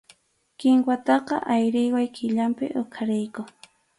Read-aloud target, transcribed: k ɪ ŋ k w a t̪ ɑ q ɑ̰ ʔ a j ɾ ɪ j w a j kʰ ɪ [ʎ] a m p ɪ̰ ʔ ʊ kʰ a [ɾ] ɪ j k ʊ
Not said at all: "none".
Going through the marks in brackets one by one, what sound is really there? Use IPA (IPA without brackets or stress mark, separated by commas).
ʎ, ɾ